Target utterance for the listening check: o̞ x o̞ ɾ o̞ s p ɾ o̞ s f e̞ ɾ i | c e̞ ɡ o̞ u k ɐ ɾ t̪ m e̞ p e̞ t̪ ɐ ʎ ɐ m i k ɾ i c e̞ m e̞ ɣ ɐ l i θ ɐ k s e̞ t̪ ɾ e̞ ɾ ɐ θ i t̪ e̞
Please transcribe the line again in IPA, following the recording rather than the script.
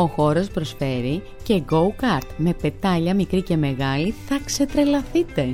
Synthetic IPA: o̞ x o̞ ɾ o̞ s p ɾ o̞ s f e̞ ɾ i | c e̞ ɡ o̞ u k ɐ ɾ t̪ m e̞ p e̞ t̪ ɐ ʎ ɐ m i k ɾ i c e̞ m e̞ ɣ ɐ l i θ ɐ k s e̞ t̪ ɾ e̞ l ɐ θ i t̪ e̞